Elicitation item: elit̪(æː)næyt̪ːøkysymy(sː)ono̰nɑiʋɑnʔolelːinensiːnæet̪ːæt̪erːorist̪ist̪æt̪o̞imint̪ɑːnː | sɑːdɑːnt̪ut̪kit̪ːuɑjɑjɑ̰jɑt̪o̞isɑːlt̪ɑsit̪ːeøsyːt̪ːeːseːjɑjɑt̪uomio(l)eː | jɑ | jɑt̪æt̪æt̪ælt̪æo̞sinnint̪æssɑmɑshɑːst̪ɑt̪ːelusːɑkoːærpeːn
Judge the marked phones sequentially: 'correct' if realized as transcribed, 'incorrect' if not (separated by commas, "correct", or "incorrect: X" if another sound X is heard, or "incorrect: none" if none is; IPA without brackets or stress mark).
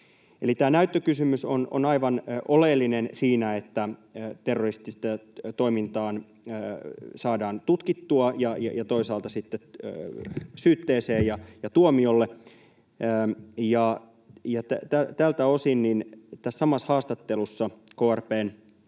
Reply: correct, incorrect: s, incorrect: lː